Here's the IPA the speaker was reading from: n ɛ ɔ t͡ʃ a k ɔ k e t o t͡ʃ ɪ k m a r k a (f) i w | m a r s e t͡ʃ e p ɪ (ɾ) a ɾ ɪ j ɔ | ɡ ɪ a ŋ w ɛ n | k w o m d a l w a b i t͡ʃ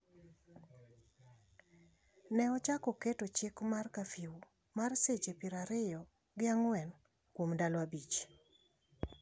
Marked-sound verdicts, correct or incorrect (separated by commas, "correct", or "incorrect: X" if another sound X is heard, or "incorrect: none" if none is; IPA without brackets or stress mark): correct, correct